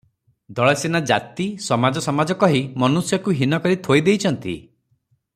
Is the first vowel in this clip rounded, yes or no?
yes